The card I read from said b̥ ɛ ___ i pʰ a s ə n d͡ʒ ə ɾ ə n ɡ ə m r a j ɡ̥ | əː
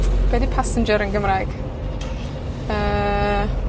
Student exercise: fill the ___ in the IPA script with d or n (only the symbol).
d